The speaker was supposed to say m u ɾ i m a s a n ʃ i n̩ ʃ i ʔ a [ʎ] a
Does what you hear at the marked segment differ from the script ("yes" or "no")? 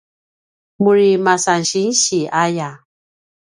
yes